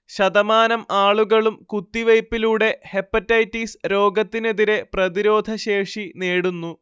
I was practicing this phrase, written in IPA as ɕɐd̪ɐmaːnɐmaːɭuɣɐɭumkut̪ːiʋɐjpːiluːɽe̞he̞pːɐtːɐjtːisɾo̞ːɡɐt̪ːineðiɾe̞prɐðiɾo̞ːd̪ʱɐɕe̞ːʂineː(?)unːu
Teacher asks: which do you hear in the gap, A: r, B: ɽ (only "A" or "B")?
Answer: B